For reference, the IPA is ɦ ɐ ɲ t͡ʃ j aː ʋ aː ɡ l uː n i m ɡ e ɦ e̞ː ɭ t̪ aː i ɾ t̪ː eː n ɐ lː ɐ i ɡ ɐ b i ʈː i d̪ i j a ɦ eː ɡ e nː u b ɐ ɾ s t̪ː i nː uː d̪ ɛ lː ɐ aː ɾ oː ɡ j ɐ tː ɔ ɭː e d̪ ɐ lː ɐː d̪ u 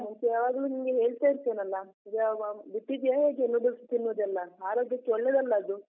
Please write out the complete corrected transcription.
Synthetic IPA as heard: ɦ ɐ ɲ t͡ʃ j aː ʋ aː ɡ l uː n i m ɡ e ɦ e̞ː ɭ t̪ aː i ɾ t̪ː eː n ɐ lː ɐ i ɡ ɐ b i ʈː i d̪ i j a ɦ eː ɡ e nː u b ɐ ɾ s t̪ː i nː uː d̪ ɛ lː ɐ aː ɾ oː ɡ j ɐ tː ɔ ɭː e d̪ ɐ lː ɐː d̪ u